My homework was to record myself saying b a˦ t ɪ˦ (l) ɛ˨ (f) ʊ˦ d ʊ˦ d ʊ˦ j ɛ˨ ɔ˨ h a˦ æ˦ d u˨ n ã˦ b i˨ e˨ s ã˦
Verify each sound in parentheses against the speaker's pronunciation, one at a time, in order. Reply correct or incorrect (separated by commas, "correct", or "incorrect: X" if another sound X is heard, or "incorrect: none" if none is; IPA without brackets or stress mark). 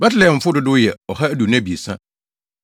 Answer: correct, correct